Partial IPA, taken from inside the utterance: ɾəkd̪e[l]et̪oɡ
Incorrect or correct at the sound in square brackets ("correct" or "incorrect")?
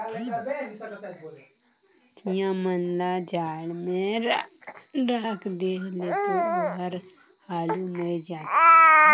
correct